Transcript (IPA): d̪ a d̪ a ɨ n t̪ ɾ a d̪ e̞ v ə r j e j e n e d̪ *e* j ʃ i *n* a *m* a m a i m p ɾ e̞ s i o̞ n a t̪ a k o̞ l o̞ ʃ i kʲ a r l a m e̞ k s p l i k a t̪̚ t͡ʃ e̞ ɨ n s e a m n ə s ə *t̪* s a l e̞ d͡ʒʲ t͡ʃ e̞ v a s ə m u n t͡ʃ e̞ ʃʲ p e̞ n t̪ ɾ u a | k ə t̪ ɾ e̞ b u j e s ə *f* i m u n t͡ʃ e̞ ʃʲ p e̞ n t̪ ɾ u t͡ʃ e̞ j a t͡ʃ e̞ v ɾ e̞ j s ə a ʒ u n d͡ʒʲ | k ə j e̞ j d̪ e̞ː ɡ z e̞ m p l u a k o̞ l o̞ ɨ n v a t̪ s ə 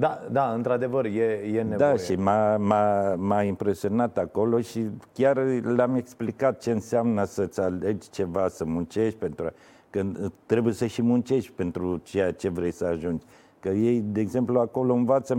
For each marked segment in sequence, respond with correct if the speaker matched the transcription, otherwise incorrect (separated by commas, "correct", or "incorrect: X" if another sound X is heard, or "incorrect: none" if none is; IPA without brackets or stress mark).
incorrect: a, incorrect: m, correct, correct, incorrect: ʃ